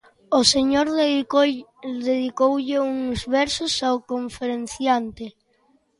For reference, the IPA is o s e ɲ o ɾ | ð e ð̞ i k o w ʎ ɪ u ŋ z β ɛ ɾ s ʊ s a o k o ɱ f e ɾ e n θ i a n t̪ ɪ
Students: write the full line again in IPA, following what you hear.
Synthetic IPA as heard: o s e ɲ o ɾ | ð e ð̞ i k o w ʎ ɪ u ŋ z β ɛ ɾ s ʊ s a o k o ɱ f e ɾ e n θ j a n t̪ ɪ

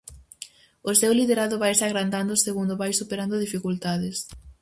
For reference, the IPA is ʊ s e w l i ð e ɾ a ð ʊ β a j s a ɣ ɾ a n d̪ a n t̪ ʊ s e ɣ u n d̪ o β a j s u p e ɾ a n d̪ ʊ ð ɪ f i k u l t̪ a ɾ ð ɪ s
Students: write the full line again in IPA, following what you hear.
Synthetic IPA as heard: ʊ s e w l i ð e ɾ a ð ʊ β a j s a ɣ ɾ a n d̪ a n d̪ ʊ s e ɣ u n d̪ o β a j s u p e ɾ a n d̪ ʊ ð i f i k u l t̪ a ð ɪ s

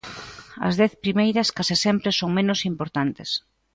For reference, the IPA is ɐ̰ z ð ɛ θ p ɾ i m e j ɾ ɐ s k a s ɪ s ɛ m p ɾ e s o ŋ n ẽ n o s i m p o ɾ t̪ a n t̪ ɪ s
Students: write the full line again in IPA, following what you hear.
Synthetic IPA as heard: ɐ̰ z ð ɛ θ p ɾ i m e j ɾ ɐ s k a s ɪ s ɛ m p ɾ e s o ŋ m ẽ n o s i m p o ɾ t̪ a n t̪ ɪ s

